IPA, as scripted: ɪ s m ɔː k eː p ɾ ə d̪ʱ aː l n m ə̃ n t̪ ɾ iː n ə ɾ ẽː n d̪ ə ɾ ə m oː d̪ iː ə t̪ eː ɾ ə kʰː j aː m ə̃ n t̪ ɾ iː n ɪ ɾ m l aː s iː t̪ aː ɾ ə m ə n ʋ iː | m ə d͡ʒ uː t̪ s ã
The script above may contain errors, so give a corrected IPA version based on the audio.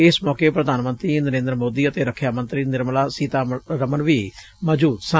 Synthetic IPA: ɪ s m ɔː k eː p ɾ ə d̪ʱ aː n m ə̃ n t̪ ɾ iː n ə ɾ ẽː n d̪ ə ɾ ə m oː d̪ iː ə t̪ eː ɾ ə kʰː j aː m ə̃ n t̪ ɾ iː n ɪ ɾ m l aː s iː t̪ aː ɾ ə m ə n ʋ iː | m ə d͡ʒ uː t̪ s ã

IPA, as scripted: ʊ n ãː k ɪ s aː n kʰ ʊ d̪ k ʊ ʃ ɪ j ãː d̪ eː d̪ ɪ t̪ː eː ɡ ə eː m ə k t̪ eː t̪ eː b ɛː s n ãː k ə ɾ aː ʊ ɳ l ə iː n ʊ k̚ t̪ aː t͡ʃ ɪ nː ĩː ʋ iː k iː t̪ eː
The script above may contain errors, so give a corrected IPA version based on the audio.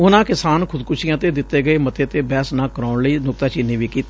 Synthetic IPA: ʊ n ãː k ɪ s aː n kʰ ʊ d̪ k ʊ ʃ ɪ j ãː t̪ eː d̪ ɪ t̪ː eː ɡ ə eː m ə t̪ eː t̪ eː b ɛː s n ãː k ə ɾ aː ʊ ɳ l ə iː n ʊ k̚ t̪ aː t͡ʃ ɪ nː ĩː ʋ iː k iː t̪ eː

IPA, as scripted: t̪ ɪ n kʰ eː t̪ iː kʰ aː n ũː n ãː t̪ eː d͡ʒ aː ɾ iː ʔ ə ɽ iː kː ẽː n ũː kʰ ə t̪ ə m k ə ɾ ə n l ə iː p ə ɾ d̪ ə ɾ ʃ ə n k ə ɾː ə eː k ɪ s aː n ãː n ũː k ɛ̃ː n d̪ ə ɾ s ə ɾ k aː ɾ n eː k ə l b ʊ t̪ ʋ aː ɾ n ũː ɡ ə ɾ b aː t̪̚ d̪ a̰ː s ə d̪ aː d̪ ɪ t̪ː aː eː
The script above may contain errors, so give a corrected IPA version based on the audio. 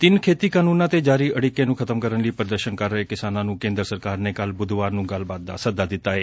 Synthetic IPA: t̪ ɪ n kʰ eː t̪ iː k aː n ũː n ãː t̪ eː d͡ʒ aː ɾ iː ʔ ə ɽ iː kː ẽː n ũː kʰ ə t̪ ə m k ə ɾ ə n l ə iː p ə ɾ d̪ ə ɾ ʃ ə n k ə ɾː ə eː k ɪ s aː n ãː n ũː k ẽː n d̪ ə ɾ s ə ɾ k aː ɾ n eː k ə l b ʊ d̪ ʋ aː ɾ n ũː ɡ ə l b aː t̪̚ d̪ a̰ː s ə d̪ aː d̪ ɪ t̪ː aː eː

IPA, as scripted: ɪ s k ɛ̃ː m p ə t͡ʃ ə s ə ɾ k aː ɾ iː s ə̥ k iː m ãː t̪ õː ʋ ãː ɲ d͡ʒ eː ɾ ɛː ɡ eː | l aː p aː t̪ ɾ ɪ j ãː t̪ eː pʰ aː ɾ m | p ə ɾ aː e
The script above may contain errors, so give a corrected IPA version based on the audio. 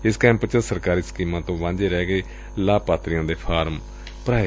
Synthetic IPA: ɪ s k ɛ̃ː m p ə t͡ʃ ə s ə ɾ k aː ɾ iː s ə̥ k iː m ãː t̪ õː ʋ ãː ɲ d͡ʒ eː ɾ ɛː ɡ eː | l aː p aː t̪ ɾ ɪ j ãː d̪ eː pʰ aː ɾ m | p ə ɾ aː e

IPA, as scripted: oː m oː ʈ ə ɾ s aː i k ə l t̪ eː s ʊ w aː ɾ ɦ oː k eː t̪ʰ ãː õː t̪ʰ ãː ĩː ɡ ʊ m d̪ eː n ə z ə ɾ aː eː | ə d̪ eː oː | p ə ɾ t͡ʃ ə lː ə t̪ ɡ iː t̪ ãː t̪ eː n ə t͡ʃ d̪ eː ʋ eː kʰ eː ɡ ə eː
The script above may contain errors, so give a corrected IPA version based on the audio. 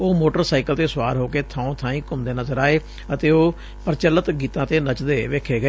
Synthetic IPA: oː m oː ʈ ə ɾ s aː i k ə l t̪ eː s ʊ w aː ɾ ɦ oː k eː t̪ʰ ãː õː t̪ʰ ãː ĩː k ʊ m d̪ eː n ə z ə ɾ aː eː | ə t̪ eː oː | p ə ɾ t͡ʃ ə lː ə t̪ ɡ iː t̪ ãː t̪ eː n ə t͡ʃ d̪ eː ʋ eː kʰ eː ɡ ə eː

